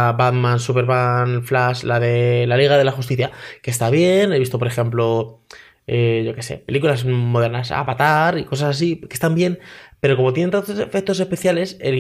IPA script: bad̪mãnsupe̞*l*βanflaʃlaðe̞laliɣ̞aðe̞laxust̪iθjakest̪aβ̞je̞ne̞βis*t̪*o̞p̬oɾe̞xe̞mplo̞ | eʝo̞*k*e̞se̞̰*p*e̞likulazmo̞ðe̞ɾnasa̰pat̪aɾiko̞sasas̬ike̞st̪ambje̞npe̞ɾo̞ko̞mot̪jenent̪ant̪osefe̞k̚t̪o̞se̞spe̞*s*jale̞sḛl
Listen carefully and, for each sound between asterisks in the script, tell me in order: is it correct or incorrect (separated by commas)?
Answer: incorrect, correct, correct, correct, incorrect